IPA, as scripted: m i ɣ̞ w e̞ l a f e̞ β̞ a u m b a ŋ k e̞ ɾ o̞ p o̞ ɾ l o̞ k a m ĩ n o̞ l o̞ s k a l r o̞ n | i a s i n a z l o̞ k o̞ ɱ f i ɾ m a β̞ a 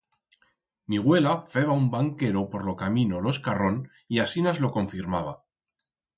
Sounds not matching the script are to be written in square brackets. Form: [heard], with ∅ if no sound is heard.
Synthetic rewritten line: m i ɣ̞ w e̞ l a f e̞ β̞ a u m b a ŋ k e̞ ɾ o̞ p o̞ ɾ l o̞ k a m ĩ n o̞ l o̞ s k a [∅] r o̞ n | i a s i n a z l o̞ k o̞ ɱ f i ɾ m a β̞ a

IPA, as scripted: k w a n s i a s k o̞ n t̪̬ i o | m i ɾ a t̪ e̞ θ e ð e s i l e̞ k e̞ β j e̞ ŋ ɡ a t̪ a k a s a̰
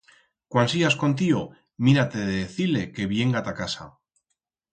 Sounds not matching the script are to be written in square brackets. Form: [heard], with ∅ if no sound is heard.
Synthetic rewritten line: k w a n s i a s k o̞ n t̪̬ i o | m i ɾ a t̪ e̞ [ð] e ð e [θ] i l e̞ k e̞ β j e̞ ŋ ɡ a t̪ a k a s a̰

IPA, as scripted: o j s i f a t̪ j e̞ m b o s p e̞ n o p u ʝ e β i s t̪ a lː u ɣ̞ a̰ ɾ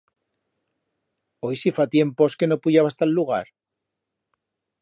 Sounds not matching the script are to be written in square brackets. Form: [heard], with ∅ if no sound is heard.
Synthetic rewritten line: o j s i f a t̪ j e̞ m [p] o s [k] e̞ n o p u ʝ [a] β [a] s t̪ a lː u ɣ̞ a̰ ɾ

